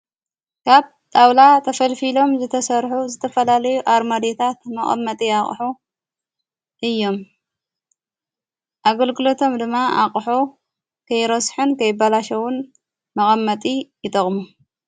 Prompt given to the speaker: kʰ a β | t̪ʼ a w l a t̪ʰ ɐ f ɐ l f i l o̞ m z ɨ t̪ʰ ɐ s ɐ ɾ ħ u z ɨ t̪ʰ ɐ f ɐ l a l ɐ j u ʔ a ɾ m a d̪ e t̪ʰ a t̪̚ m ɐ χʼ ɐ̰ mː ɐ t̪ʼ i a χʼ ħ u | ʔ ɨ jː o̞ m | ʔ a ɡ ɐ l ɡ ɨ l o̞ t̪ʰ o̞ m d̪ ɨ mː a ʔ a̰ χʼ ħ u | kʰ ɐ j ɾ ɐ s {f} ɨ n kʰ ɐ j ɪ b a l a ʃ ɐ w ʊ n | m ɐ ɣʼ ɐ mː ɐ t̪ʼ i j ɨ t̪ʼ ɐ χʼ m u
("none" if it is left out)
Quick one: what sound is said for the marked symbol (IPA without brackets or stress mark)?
ħ